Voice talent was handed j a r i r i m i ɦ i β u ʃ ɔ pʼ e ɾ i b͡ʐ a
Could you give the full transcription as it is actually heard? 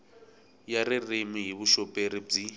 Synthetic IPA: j a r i r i m i ɦ i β u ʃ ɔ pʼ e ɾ i b͡ʐ i